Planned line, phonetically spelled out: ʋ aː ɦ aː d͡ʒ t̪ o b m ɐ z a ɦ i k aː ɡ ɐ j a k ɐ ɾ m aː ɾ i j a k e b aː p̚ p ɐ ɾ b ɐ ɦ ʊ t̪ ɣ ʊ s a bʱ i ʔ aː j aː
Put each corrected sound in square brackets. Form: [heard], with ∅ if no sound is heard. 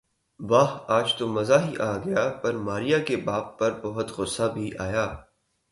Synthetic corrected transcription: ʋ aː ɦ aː d͡ʒ t̪ o [∅] m ɐ z a ɦ i [ʔ] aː ɡ ɐ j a [p] ɐ ɾ m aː ɾ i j a k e b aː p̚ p ɐ ɾ b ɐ ɦ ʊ t̪ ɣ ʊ s a bʱ i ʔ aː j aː